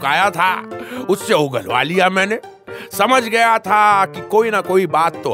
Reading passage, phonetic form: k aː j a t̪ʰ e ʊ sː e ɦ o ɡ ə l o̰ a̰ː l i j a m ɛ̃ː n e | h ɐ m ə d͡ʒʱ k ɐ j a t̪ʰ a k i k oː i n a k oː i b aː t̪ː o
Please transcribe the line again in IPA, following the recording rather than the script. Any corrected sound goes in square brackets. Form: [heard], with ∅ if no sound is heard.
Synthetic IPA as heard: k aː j a t̪ʰ [a] ʊ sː e ɦ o ɡ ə l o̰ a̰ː l i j a m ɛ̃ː n e | [s] ɐ m ə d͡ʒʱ [ɡ] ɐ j a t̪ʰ a k i k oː i n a k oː i b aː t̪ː o